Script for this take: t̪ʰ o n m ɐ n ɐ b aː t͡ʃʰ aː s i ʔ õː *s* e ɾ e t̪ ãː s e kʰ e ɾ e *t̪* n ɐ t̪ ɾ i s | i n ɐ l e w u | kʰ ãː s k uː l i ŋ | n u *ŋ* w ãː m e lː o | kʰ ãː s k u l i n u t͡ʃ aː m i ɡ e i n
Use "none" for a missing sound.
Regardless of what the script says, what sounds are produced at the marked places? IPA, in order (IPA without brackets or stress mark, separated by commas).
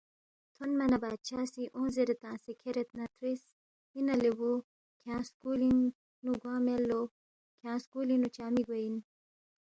z, t̪, ɡ